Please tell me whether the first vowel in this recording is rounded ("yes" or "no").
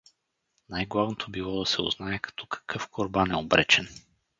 no